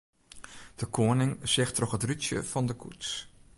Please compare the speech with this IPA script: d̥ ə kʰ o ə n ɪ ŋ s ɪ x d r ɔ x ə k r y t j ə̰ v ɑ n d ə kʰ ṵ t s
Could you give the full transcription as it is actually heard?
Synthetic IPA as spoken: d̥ ə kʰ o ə n ɪ ŋ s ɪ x t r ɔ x ə t r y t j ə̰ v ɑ n d ə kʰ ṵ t s